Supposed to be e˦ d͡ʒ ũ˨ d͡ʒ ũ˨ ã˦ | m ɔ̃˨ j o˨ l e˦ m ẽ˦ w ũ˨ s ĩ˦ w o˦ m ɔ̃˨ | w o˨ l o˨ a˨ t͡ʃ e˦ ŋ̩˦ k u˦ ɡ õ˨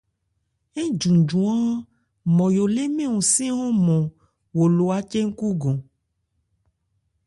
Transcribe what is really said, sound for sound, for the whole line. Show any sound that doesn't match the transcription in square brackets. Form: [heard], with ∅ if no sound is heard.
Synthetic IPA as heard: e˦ d͡ʒ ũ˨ d͡ʒ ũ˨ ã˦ | m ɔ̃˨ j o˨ l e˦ m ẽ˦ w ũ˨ s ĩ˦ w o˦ m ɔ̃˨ | w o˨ l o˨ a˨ t͡ʃ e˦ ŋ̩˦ k u˦ ɡ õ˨